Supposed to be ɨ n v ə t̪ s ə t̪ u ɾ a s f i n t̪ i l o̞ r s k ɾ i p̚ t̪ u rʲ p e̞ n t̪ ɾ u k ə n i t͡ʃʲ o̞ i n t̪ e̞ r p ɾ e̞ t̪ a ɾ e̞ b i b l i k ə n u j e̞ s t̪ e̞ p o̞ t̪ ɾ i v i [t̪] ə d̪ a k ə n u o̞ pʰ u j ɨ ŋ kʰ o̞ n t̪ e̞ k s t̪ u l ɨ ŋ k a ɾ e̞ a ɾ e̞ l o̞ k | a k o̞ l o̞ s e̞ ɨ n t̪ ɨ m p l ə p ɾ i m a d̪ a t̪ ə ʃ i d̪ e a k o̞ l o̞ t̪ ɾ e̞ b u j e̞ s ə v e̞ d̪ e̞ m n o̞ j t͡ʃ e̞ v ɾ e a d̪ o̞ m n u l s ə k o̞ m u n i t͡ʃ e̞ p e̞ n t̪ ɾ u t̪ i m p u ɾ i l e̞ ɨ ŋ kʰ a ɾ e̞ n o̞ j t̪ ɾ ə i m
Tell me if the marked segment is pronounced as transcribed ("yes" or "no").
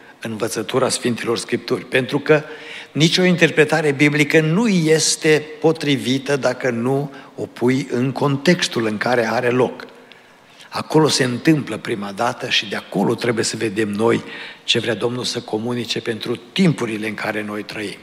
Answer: yes